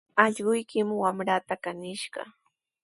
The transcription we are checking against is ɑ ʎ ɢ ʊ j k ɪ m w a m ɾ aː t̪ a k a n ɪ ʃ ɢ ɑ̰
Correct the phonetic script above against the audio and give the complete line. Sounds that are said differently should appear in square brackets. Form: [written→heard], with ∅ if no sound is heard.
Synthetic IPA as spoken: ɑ ʎ ɢ ʊ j k ɪ m w a m ɾ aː t̪ a k a n ɪ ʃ ɢ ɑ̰